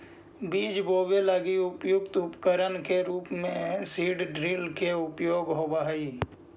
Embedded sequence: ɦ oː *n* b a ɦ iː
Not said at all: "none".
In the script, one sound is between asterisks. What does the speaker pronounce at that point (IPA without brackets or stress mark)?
none